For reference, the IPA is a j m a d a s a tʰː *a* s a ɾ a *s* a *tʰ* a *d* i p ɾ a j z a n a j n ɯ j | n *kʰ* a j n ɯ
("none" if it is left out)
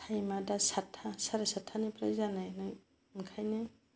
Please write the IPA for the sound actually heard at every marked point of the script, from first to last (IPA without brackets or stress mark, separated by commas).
a, s, tʰ, n, kʰ